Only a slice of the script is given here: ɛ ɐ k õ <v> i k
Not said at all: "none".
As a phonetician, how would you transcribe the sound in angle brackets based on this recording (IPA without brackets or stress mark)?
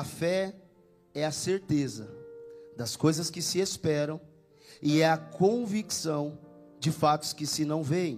v